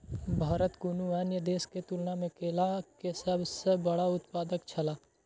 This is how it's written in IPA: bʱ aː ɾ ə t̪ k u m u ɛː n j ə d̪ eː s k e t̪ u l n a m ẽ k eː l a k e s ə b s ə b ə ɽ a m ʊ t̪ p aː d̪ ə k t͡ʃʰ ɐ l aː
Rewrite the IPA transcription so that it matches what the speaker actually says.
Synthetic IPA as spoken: bʱ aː ɾ ə t̪ k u n u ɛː n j ə d̪ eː s k e t̪ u l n a m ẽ k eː l a k e s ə b s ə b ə ɽ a ʊ t̪ p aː d̪ ə k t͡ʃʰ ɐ l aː